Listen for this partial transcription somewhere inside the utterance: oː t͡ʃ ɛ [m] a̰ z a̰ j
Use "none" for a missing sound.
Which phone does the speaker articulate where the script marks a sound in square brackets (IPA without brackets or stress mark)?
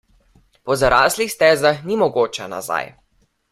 n